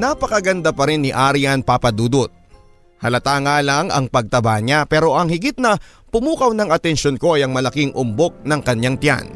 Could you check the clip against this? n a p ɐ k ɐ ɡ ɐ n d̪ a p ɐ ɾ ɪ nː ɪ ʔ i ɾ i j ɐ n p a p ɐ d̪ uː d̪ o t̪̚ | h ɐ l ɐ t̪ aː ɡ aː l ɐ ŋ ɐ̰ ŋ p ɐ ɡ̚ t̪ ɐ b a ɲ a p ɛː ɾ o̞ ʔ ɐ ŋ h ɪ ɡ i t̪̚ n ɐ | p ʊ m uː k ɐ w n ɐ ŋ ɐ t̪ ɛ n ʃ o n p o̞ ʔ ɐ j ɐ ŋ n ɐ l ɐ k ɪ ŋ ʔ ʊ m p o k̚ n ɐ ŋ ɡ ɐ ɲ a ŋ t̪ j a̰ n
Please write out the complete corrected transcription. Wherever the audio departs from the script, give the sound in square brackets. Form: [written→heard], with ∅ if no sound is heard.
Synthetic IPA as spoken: n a p ɐ k ɐ ɡ ɐ n d̪ a p ɐ ɾ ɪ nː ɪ ʔ [i→a] ɾ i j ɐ n p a p ɐ d̪ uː d̪ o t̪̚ | h ɐ l ɐ t̪ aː [ɡ→ŋ] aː l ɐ ŋ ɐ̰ ŋ p ɐ ɡ̚ t̪ ɐ b a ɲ a p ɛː ɾ o̞ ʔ ɐ ŋ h ɪ ɡ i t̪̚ n ɐ | p ʊ m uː k ɐ w n ɐ ŋ ɐ t̪ ɛ n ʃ o n [p→k] o̞ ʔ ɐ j ɐ ŋ [n→m] ɐ l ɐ k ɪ ŋ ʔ ʊ m [p→b] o k̚ n ɐ ŋ [ɡ→k] ɐ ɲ a ŋ t̪ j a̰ n